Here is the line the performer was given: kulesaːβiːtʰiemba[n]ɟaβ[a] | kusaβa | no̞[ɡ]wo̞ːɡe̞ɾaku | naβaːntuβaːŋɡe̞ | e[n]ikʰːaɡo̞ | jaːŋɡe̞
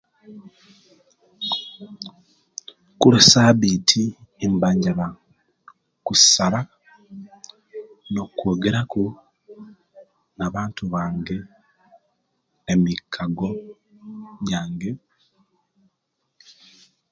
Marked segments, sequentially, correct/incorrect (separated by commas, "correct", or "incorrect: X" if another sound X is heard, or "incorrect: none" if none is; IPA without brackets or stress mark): incorrect: ɲ, correct, incorrect: k, incorrect: m